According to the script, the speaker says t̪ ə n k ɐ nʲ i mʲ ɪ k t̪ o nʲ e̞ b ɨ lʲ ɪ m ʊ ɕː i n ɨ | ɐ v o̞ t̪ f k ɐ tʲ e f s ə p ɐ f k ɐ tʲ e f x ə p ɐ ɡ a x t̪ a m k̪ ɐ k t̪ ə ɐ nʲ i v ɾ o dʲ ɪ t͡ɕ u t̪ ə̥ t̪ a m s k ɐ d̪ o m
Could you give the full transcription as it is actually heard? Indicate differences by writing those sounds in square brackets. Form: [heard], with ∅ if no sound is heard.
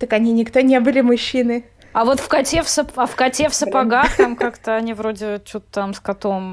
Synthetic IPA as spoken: t̪ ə [∅] k ɐ nʲ i [nʲ] ɪ k t̪ o nʲ e̞ b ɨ lʲ ɪ m ʊ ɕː i n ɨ | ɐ v o̞ t̪ f k ɐ tʲ e f s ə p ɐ f k ɐ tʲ e f [s] ə p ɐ ɡ a x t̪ a m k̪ [a] k t̪ ə ɐ nʲ i v ɾ o dʲ ɪ t͡ɕ u t̪ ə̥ t̪ a m s k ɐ [t̪] o m